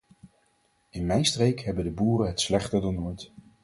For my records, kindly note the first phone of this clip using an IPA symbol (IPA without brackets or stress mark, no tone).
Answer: ɪ